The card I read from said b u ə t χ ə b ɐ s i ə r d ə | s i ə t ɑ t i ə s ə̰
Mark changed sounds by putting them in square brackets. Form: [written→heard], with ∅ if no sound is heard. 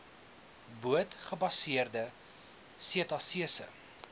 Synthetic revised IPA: b u ə t χ ə b ɐ s i ə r d ə | s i ə t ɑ [t→s] i ə s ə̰